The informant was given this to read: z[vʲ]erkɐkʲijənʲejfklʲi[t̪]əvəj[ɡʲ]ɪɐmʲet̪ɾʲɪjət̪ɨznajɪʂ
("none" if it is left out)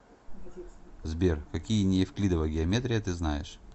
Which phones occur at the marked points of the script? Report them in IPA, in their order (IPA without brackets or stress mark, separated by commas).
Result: bʲ, d̪, ɡʲ